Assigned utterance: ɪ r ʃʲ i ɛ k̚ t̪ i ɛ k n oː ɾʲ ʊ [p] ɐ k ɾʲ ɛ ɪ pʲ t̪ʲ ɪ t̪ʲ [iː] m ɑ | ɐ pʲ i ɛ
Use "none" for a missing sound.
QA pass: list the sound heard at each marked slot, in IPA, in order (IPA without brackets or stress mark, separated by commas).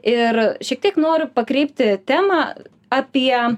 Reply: p, æː